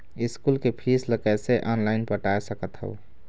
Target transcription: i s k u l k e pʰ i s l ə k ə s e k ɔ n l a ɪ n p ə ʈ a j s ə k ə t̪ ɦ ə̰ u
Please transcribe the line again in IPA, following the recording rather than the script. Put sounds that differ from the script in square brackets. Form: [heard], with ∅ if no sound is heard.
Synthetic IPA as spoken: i s k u l k e pʰ i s l ə k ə s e [ʔ] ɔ n l a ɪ n p ə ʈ a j s ə k ə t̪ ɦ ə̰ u